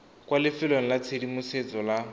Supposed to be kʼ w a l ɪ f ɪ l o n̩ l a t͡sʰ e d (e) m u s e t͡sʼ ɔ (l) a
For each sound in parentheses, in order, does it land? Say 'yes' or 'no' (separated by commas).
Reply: no, yes